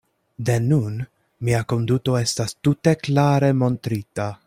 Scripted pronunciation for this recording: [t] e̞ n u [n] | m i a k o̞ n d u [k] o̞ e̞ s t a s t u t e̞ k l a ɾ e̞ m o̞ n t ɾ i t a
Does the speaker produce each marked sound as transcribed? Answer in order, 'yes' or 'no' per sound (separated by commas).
no, yes, no